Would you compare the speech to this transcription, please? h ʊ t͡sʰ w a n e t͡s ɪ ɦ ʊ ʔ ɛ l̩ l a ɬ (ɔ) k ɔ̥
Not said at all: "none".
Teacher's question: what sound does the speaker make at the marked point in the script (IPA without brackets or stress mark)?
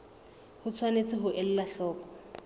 ɔː